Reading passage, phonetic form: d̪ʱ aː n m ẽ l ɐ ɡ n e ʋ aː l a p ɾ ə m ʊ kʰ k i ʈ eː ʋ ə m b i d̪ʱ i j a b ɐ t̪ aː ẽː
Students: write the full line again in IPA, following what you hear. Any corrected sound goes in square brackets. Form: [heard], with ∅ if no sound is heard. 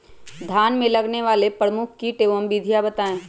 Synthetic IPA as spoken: d̪ʱ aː n m ẽ l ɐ ɡ n e ʋ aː l [e] p ɾ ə m ʊ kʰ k i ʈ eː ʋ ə m b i d̪ʱ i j a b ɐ t̪ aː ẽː

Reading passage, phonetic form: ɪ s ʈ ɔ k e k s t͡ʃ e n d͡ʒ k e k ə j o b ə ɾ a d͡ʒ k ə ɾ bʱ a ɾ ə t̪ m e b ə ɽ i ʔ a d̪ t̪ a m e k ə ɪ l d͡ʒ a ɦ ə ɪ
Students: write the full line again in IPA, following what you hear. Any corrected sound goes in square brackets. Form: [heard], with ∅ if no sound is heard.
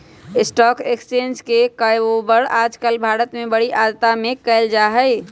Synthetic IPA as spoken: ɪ s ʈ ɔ k e k s t͡ʃ e n d͡ʒ k e k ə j o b ə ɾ a d͡ʒ k ə [l] bʱ a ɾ ə t̪ m e b ə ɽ i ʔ a d̪ t̪ a m e k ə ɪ l d͡ʒ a ɦ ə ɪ

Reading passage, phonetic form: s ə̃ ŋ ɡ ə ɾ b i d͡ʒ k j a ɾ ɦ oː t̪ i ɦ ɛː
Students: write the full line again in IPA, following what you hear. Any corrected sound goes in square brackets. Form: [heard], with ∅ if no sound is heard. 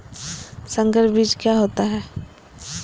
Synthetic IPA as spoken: s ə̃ ŋ ɡ ə ɾ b i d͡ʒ k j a [∅] ɦ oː t̪ [a] ɦ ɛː

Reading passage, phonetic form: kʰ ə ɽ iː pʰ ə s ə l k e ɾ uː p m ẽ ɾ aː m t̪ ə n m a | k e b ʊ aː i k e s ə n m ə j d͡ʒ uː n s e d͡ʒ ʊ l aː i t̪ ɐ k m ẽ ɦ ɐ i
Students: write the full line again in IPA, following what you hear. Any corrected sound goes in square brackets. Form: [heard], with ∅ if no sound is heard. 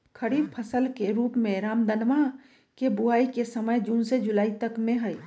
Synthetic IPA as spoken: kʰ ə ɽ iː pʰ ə s ə l k e ɾ uː p m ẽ ɾ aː m [d̪] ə n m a | k e b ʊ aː i k e s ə [∅] m ə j d͡ʒ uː n s e d͡ʒ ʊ l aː i t̪ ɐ k m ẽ ɦ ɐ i

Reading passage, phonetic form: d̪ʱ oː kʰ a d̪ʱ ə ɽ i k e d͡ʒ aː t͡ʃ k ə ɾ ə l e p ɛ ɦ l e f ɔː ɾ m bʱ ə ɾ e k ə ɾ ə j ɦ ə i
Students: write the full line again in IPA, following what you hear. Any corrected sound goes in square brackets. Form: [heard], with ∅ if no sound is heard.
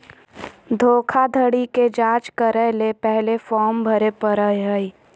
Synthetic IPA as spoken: d̪ʱ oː kʰ a d̪ʱ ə ɽ i k e d͡ʒ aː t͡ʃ k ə ɾ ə l e p ɛ ɦ l e f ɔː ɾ m bʱ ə ɾ e [p] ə ɾ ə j ɦ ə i

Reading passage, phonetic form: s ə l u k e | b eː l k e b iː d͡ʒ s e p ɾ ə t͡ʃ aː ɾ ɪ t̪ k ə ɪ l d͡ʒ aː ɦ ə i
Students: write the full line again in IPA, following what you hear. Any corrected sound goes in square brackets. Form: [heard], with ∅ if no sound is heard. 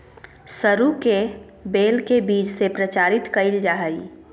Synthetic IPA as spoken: s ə [ɾ] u k e | b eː l k e b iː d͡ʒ s e p ɾ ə t͡ʃ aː ɾ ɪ t̪ k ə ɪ l d͡ʒ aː ɦ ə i

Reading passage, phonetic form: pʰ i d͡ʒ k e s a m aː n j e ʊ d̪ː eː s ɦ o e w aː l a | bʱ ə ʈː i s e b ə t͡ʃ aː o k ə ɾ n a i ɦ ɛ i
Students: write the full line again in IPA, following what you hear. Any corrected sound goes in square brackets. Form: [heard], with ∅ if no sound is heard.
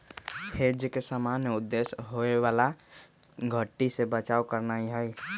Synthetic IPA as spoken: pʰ [e] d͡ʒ k e s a m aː n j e ʊ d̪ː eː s ɦ o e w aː l a | [ɡʱ] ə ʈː i s e b ə t͡ʃ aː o k ə ɾ n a i ɦ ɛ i

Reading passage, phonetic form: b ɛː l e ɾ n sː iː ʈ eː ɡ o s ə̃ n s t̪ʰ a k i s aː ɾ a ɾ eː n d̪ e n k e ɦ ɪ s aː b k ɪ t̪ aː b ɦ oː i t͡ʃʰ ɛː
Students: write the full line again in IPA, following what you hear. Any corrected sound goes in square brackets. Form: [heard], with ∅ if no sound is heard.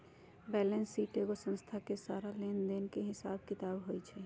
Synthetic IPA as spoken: b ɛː l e [∅] n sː iː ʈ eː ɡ o s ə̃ n s t̪ʰ a k [e] s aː ɾ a [l] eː n d̪ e n k e ɦ ɪ s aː b k ɪ t̪ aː b ɦ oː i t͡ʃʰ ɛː

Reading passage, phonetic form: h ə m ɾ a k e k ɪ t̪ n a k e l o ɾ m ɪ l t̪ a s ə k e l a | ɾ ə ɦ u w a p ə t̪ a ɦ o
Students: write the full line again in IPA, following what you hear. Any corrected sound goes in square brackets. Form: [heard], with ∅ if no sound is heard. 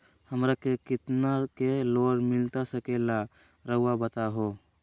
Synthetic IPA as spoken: h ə m ɾ a k e k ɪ t̪ n a k e l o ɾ m ɪ l t̪ a s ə k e l a | ɾ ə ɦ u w a [b] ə t̪ a ɦ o

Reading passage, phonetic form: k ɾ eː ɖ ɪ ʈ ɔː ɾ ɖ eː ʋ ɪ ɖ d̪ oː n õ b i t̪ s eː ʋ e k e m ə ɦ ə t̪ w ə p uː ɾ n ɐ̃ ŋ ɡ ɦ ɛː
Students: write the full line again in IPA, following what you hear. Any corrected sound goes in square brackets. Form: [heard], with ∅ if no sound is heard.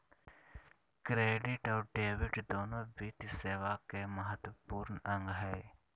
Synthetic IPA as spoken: k ɾ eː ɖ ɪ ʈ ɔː ɾ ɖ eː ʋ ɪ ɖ d̪ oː n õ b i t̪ s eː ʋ [a] k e m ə ɦ ə t̪ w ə p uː ɾ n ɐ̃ ŋ ɡ ɦ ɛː

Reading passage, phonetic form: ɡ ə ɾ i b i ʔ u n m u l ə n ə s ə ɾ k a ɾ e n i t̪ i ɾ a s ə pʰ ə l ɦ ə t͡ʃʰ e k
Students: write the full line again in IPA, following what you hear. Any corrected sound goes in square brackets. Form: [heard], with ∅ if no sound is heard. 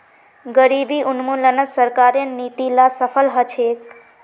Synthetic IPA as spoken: ɡ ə ɾ i b i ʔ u n m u l ə n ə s ə ɾ k a ɾ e n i t̪ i [l] a s ə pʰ ə l ɦ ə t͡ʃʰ e k

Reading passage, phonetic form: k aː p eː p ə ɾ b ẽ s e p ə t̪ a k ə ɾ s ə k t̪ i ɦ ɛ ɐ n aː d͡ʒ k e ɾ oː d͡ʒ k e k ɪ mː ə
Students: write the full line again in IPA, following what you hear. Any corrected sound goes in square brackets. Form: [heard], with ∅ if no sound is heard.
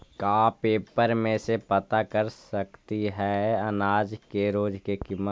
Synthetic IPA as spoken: k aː p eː p ə ɾ [m] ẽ s e p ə t̪ a k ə ɾ s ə k t̪ i ɦ ɛ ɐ n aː d͡ʒ k e ɾ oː d͡ʒ k e k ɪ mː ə

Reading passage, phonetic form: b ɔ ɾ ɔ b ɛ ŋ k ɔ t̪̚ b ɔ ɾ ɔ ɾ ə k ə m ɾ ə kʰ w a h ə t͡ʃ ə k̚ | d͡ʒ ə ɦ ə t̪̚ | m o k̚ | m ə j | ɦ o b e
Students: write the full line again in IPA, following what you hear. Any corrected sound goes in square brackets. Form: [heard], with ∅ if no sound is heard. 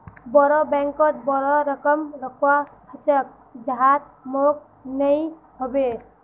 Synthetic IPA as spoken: b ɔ ɾ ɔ b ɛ ŋ k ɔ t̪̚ b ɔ ɾ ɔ ɾ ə k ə m ɾ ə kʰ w a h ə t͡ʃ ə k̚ | d͡ʒ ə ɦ [a] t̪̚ | m o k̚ | [n] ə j | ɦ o b e

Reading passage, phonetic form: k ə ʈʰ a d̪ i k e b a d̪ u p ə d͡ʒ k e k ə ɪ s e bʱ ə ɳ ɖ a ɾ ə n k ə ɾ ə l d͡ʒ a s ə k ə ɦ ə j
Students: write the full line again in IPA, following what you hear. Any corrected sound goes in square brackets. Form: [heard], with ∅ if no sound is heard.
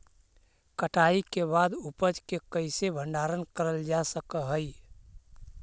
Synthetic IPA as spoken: k ə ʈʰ a [∅] i k e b a d̪ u p ə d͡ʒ k e k ə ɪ s e bʱ ə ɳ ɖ a ɾ ə n k ə ɾ ə l d͡ʒ a s ə k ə ɦ ə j

